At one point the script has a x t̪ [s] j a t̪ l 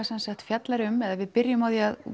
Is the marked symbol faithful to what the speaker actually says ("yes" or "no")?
no